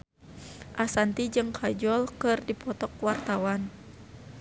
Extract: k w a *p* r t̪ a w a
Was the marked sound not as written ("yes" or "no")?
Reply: yes